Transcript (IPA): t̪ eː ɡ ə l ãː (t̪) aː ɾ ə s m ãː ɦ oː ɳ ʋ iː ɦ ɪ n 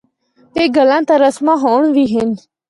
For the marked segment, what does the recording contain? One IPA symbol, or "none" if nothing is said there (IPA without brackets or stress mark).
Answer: t̪